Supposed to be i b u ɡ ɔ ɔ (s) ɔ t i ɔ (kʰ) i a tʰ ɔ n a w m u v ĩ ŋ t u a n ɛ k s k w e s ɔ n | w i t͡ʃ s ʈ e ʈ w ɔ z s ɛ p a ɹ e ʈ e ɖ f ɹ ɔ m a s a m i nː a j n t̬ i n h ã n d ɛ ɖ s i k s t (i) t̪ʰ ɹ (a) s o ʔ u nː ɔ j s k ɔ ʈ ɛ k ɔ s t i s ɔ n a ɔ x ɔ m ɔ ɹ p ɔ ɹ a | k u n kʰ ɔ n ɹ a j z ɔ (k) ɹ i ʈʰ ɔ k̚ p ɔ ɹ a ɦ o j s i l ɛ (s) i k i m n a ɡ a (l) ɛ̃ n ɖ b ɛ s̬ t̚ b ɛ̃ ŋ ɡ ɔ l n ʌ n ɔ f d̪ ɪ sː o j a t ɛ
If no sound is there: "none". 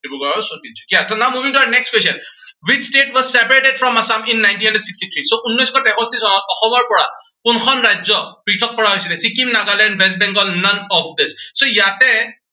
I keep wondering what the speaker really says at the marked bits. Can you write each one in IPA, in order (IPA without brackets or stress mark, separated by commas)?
s, k, i, i, p, s, l